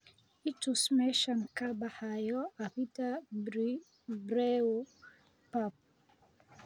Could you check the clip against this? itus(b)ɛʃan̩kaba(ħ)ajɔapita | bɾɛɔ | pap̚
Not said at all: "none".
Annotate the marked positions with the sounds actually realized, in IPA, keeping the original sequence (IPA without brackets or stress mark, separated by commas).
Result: m, h